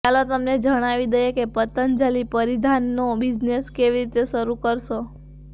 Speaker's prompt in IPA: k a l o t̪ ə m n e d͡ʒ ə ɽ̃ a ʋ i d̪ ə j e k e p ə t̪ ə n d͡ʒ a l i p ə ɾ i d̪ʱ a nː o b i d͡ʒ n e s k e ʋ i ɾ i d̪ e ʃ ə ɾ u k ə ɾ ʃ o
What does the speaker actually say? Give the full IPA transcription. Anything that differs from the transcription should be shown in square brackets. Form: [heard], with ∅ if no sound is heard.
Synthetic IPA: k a l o t̪ ə m n e d͡ʒ ə ɽ̃ a ʋ i d̪ ə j e k e p ə t̪ ə n d͡ʒ a l i p ə ɾ i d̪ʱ a nː o b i d͡ʒ n e s k e ʋ i ɾ i [t̪] e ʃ ə ɾ u k ə ɾ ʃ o